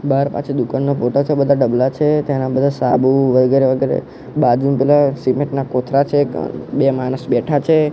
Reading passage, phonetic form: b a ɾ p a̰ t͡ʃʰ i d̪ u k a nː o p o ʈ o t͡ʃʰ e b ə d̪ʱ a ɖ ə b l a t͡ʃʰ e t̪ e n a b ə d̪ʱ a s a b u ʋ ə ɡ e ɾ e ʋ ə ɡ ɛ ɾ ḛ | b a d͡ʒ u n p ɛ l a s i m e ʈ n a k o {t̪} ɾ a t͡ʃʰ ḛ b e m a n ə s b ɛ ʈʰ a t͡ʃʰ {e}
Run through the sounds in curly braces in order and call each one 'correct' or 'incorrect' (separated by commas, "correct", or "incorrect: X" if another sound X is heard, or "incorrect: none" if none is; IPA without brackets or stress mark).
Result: incorrect: t̪ʰ, correct